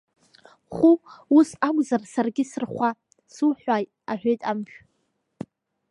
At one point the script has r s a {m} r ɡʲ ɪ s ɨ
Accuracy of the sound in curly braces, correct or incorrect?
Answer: incorrect